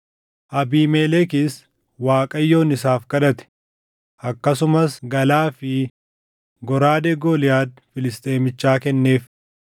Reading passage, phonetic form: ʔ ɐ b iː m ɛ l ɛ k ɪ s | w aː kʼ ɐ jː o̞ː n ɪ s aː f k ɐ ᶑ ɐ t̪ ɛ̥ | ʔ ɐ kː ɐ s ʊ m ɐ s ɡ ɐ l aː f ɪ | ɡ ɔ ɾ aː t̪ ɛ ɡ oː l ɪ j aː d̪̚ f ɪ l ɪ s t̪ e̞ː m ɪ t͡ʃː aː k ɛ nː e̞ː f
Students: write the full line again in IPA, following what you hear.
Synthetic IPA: ʔ ɐ b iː m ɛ l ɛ k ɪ s | w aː kʼ ɐ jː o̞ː n ɪ s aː f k ɐ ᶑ ɐ t̪ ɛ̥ | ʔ ɐ kː ɐ s ʊ m ɐ s ɡ ɐ l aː f ɪ | ɡ ɔ ɾ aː d̪ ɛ ɡ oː l ɪ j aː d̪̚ f ɪ l ɪ s t̪ʼ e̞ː m ɪ t͡ʃː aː k ɛ nː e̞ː f

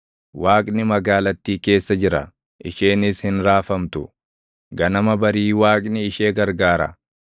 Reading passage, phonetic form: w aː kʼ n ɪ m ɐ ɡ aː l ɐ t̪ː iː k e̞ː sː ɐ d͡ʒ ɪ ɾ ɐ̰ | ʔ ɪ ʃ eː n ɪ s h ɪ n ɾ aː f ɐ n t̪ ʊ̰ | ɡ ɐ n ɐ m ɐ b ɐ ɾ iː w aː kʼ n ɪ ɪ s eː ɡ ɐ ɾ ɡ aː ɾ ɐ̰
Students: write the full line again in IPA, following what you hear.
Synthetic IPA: w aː kʼ n ɪ m ɐ ɡ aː l ɐ t̪ː iː k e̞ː sː ɐ d͡ʒ ɪ ɾ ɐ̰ | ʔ ɪ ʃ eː n ɪ s h ɪ n ɾ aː f ɐ m t̪ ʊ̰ | ɡ ɐ n ɐ m ɐ b ɐ ɾ iː w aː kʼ n ɪ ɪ ʃ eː ɡ ɐ ɾ ɡ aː ɾ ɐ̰

